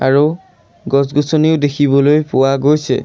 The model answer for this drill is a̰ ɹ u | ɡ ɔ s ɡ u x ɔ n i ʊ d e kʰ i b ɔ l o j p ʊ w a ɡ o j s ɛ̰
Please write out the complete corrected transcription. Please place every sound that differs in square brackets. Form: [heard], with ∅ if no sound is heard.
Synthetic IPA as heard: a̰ ɹ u | ɡ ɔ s ɡ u [s] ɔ n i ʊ d e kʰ i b ɔ l o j p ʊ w a ɡ o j s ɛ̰